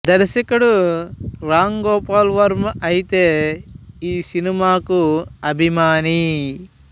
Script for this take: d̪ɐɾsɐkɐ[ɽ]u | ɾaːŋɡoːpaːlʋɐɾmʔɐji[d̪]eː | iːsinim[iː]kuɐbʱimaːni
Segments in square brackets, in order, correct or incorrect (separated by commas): correct, incorrect, incorrect